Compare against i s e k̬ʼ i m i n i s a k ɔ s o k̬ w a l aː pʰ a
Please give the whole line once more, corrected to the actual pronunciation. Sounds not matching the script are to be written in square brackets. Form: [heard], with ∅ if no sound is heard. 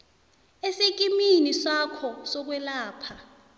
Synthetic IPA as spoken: [e] s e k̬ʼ i m i n i s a [kʰ] ɔ s [ɔ] k̬ w [ɛ] l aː pʰ a